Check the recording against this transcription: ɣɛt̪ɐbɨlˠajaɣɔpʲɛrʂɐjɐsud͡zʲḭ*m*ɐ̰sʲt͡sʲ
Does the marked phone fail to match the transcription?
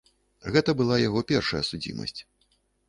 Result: no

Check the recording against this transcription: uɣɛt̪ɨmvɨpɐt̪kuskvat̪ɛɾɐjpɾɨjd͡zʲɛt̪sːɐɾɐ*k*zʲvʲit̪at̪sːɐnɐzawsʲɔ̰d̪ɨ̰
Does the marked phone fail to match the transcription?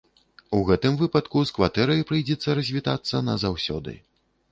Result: yes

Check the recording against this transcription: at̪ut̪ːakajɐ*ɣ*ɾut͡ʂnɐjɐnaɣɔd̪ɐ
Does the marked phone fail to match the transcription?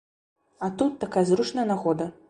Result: yes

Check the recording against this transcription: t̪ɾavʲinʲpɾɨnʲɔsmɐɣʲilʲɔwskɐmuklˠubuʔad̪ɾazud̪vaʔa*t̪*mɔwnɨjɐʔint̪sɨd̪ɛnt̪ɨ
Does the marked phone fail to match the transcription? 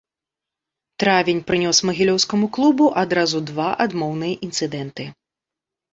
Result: yes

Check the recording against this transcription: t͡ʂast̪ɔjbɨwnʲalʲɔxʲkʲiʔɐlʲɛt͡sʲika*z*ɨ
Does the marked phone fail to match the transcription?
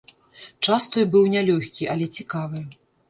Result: yes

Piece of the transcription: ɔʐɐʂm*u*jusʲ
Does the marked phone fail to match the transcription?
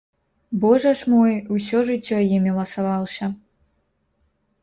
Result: yes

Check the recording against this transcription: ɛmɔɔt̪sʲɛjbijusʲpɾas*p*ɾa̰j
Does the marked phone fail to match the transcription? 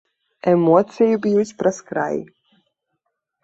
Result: yes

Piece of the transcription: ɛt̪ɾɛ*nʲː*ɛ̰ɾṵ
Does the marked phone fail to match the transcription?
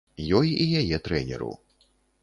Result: yes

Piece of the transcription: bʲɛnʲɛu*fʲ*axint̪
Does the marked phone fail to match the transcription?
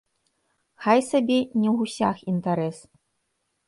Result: yes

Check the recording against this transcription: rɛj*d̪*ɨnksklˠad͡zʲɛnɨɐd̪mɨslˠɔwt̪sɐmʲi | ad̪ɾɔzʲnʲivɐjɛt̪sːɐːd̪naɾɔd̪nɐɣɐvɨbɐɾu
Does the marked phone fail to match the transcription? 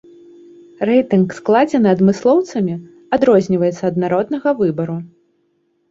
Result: yes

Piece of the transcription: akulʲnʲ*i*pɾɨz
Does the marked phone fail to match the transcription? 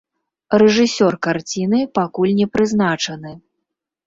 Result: yes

